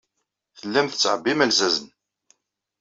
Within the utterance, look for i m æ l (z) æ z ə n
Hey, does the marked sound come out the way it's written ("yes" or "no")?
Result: yes